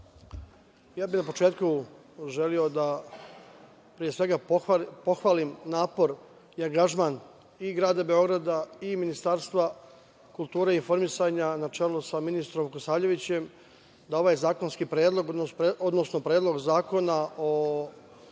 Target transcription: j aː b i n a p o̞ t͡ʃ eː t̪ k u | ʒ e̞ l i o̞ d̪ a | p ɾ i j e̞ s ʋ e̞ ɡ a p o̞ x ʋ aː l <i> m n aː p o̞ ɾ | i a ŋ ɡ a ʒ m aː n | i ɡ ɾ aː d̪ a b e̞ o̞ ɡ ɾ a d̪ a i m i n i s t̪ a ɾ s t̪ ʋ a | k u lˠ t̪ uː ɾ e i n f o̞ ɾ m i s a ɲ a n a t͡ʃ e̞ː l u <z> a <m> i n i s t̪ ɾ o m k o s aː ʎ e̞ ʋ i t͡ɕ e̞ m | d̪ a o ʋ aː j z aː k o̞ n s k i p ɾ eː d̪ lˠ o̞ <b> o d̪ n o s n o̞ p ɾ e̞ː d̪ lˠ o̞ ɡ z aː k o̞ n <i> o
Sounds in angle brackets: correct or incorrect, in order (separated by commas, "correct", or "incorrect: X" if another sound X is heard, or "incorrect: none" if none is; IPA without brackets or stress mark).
correct, incorrect: s, correct, incorrect: ɡ, incorrect: a